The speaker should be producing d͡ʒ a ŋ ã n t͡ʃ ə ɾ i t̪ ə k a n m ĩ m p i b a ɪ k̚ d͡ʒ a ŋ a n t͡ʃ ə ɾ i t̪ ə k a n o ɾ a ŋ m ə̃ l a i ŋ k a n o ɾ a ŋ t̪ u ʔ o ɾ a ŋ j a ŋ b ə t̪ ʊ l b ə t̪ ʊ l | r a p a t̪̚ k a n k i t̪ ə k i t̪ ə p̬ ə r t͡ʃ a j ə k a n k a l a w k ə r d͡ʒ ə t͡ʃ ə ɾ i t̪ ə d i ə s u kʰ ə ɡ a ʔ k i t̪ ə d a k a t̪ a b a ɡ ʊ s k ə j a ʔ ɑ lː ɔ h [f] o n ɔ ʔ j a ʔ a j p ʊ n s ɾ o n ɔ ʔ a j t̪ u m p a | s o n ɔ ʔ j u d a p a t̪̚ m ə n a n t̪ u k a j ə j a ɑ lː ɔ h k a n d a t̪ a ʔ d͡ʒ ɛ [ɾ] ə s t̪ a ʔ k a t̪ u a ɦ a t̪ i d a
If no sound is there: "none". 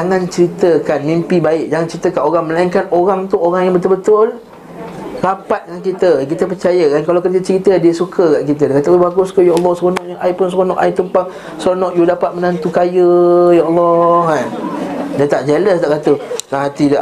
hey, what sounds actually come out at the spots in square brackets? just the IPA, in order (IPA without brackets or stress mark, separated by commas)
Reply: s, l